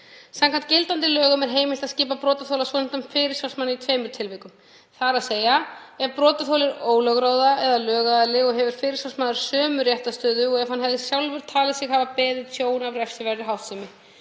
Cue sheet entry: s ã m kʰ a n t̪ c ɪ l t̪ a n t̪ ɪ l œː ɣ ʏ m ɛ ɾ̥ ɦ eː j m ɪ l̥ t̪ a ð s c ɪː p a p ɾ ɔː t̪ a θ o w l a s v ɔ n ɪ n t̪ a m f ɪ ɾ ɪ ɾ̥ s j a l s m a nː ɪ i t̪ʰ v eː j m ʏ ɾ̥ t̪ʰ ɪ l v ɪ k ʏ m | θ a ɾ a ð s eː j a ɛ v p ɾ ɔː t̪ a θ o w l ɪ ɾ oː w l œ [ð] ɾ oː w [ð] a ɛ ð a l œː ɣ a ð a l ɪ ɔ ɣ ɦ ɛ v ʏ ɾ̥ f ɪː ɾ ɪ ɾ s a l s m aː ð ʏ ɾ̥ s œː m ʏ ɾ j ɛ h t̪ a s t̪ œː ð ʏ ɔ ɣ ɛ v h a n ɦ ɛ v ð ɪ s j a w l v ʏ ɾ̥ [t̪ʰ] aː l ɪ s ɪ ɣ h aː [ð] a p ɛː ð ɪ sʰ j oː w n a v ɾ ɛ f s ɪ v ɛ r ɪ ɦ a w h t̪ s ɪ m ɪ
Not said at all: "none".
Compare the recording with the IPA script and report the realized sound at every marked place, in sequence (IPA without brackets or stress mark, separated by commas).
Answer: ɣ, ð, t̪ʰ, v